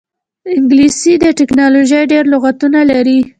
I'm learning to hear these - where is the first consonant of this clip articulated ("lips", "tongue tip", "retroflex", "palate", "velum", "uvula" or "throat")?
velum